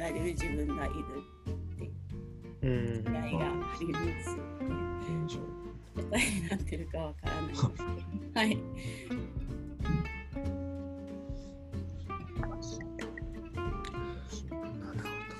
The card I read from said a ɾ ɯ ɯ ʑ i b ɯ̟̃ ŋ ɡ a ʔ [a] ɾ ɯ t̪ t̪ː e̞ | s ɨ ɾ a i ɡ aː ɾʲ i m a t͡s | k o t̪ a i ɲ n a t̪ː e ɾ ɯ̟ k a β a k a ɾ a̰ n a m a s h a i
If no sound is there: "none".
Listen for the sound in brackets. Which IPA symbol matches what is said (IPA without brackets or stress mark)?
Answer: i